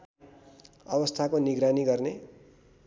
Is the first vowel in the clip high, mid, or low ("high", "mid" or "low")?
mid